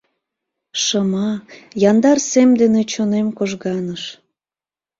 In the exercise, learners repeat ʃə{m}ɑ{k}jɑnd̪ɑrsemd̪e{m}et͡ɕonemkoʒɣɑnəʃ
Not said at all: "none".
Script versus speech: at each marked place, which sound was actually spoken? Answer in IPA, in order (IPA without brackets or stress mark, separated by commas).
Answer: m, none, n